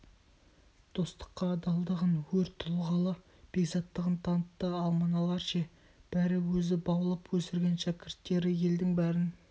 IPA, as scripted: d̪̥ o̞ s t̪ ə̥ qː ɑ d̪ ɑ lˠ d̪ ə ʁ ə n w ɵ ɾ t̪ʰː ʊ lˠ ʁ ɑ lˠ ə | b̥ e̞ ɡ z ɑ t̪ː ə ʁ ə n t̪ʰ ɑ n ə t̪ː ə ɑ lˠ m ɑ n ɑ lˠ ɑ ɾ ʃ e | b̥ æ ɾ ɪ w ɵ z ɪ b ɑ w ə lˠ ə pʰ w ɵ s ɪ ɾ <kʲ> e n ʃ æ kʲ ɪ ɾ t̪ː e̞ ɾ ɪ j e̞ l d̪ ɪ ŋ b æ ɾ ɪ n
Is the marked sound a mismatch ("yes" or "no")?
yes